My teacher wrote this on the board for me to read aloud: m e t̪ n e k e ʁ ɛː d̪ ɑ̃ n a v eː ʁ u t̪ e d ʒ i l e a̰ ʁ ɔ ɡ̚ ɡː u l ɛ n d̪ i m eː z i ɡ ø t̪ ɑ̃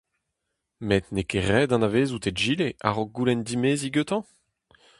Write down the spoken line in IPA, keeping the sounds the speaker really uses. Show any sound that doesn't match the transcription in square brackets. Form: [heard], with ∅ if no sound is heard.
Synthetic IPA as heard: m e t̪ n e k e ʁ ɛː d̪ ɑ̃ n a v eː [z] u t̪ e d ʒ i l e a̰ ʁ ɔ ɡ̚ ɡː u l ɛ n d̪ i m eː z i ɡ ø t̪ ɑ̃

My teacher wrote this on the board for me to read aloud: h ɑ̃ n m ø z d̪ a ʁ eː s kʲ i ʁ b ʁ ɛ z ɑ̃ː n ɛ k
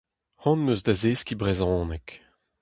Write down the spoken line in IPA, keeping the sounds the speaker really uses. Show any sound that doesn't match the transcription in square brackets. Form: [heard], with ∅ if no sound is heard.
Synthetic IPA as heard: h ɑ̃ n m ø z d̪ a [z] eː s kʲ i [∅] b ʁ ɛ z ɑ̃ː n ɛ k

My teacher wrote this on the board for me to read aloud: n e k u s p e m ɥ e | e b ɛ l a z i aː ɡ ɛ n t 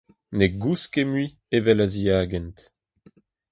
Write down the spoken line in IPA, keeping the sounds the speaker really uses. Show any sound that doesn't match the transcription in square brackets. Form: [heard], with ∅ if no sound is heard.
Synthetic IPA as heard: n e [ɡ] u s [k] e m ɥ [i] | e [v] ɛ l a z i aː ɡ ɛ n t

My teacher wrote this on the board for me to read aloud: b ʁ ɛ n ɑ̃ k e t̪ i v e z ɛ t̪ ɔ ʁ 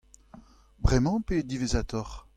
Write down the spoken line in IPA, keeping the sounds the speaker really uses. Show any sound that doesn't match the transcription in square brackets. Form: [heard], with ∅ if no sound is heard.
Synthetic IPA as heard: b ʁ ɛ [m] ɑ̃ [p] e [d̪] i v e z [a] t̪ ɔ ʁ

